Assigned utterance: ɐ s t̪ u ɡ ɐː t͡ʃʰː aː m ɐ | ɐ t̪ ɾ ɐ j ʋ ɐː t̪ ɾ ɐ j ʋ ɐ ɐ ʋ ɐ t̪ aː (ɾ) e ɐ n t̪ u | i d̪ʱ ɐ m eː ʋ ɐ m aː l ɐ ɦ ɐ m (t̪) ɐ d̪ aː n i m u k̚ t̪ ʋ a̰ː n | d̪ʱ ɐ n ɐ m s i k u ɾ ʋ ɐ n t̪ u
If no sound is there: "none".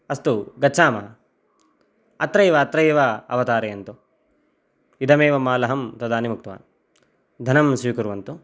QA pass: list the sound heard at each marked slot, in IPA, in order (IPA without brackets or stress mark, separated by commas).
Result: ɾ, t̪